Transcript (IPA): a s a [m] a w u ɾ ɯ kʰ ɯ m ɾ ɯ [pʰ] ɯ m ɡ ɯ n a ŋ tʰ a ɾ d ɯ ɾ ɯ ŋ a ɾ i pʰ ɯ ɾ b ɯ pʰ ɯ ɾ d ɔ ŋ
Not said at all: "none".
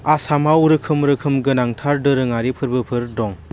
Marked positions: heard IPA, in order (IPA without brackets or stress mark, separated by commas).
m, kʰ